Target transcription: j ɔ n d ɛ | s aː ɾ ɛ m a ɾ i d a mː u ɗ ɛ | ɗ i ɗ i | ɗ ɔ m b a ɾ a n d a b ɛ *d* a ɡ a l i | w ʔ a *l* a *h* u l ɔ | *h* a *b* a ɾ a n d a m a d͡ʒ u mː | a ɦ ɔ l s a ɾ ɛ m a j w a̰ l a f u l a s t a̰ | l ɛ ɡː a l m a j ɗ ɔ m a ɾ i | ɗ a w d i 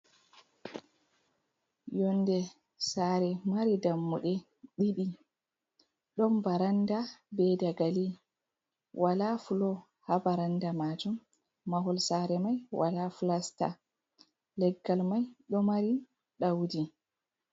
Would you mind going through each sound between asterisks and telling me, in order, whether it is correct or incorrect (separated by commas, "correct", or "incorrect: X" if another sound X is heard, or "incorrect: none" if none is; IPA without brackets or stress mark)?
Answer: correct, correct, incorrect: f, correct, correct